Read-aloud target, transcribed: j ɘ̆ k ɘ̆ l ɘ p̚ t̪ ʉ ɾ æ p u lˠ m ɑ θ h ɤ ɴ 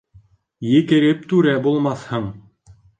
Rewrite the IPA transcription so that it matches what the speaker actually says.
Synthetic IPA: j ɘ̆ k ɘ̆ ɾ ɘ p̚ t̪ ʉ ɾ æ b u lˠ m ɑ θ h ɤ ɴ

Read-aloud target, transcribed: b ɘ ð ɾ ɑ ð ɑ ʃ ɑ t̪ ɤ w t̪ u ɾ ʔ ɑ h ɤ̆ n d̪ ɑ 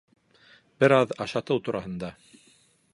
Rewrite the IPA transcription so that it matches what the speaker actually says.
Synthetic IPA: b ɘ ɾ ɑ ð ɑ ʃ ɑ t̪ ɤ w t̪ u ɾ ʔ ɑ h ɤ̆ n d̪ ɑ

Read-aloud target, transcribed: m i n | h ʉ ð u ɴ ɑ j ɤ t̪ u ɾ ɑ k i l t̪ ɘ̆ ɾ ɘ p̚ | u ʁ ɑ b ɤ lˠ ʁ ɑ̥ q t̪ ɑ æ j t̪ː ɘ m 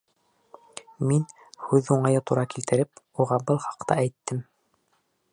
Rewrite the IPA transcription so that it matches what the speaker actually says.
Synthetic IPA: m i n | h ʉ ð u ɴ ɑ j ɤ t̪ u ɾ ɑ k i l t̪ ɘ̆ ɾ ɘ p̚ | u ʁ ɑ b ɤ lˠ χ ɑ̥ q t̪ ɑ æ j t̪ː ɘ m

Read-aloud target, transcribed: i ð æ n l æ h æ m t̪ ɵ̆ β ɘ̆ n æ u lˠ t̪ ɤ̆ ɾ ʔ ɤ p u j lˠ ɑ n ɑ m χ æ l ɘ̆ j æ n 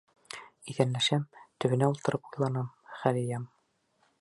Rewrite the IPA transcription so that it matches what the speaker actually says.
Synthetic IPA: i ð æ n l æ ʃ æ m t̪ ɵ̆ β ɘ̆ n æ u lˠ t̪ ɤ̆ ɾ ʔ ɤ p u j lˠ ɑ n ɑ m χ æ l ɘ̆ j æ m

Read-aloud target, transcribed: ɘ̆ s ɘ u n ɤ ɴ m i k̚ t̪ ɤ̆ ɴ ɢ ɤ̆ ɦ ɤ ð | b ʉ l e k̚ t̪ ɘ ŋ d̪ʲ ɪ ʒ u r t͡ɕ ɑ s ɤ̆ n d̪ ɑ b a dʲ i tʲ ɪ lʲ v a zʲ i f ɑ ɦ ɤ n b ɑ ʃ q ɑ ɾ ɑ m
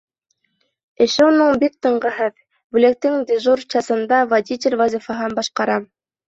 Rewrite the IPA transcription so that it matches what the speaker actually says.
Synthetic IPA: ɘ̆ ʃ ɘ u n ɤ ɴ b i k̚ t̪ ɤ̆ ɴ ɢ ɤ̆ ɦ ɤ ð | b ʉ l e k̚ t̪ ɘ ŋ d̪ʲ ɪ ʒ u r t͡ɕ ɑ s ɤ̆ n d̪ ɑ v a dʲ i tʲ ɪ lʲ v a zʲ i f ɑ ɦ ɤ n b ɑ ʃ q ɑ ɾ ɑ m

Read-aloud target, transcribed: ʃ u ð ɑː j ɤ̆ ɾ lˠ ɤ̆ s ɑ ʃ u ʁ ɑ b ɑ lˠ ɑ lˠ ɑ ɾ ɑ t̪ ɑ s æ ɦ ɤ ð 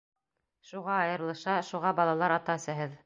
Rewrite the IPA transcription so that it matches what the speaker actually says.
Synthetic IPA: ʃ u ʁ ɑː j ɤ̆ ɾ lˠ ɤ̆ ʃ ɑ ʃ u ʁ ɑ b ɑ lˠ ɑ lˠ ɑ ɾ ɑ t̪ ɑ s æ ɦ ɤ ð

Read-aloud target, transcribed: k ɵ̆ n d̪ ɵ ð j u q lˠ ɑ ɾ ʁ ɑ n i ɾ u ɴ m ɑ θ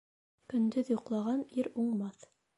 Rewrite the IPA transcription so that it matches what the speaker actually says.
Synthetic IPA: k ɵ̆ n d̪ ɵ ð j u q lˠ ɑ ʁ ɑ n i ɾ u ɴ m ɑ θ

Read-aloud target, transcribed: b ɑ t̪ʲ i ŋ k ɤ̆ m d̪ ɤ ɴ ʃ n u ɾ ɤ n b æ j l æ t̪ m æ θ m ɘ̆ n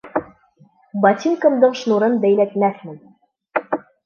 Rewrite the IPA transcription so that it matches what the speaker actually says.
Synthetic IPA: b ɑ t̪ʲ i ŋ k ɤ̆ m d̪ ɤ ɴ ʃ n u ɾ ɤ n b æ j l æ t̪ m æ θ m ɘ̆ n

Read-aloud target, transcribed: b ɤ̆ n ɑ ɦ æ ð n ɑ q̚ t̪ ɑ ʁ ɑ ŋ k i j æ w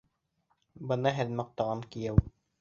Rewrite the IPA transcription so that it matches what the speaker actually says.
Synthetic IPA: b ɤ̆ n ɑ ɦ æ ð m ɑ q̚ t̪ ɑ ʁ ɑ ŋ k i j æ w

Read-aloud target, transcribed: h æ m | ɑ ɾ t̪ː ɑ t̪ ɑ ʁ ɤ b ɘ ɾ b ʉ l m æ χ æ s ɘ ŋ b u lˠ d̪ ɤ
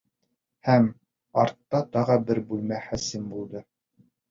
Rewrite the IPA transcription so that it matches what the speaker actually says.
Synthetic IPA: h æ m | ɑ ɾ t̪ː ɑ t̪ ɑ ʁ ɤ b ɘ ɾ b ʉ l m æ χ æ s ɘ m b u lˠ d̪ ɤ

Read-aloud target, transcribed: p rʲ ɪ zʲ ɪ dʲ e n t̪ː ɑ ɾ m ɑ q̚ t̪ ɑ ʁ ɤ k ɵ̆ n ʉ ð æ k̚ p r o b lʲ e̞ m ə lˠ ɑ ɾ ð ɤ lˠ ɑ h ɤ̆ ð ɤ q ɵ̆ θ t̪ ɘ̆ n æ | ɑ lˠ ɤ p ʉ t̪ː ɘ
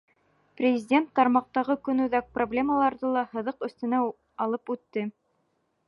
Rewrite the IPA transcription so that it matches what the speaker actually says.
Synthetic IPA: p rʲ ɪ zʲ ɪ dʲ e n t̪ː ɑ ɾ m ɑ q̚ t̪ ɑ ʁ ɤ k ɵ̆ n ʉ ð æ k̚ p r o b lʲ e̞ m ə lˠ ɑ ɾ ð ɤ lˠ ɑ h ɤ̆ ð ɤ q ɵ̆ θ t̪ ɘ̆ n æ | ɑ lˠ ɤ p ʉ t̪ː ɘ

